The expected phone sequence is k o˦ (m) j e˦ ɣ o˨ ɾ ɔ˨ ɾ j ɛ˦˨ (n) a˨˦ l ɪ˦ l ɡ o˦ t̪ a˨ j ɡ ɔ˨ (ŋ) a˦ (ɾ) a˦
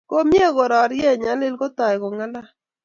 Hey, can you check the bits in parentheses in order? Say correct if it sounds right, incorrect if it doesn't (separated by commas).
correct, incorrect, correct, incorrect